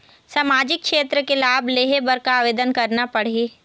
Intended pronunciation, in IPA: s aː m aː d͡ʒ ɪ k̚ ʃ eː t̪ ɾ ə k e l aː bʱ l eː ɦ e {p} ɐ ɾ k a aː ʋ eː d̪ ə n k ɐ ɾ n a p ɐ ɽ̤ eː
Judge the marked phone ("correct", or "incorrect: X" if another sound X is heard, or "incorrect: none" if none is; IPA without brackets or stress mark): incorrect: b